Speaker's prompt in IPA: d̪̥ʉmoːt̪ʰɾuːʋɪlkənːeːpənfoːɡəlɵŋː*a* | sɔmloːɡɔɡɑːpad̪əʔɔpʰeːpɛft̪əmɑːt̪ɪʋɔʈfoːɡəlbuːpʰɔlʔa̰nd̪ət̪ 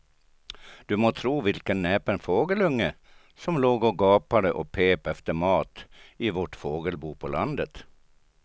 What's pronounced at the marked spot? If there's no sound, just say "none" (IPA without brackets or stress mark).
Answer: ə